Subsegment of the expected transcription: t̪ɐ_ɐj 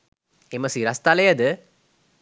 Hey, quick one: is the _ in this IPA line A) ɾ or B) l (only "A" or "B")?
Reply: B